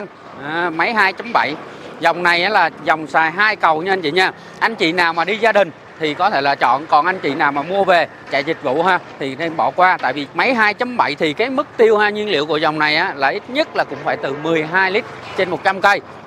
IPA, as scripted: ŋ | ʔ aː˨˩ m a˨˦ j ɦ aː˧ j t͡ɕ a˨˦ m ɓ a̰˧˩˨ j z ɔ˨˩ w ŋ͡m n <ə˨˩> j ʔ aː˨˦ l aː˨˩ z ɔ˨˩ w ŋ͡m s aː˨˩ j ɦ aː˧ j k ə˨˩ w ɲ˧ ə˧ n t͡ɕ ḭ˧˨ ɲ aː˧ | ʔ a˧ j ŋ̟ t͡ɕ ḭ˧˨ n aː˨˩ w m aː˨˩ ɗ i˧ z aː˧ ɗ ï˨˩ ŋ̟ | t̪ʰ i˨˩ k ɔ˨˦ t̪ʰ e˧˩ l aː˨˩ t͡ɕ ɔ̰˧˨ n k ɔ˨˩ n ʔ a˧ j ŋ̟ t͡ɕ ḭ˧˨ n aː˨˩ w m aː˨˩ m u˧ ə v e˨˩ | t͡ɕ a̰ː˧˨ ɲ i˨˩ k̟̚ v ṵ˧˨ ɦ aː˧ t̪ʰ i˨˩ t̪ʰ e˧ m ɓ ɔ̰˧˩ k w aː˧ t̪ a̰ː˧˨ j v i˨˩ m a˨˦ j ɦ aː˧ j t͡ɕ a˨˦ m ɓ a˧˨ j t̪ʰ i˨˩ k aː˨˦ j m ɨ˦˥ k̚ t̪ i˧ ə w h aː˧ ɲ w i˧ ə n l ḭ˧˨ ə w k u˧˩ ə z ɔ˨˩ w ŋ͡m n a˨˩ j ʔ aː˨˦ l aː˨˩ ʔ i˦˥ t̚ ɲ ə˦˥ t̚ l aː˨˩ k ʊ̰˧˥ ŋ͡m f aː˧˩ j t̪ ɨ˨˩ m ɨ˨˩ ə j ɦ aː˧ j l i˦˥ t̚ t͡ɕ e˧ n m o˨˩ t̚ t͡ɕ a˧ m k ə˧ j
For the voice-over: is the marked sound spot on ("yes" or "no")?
no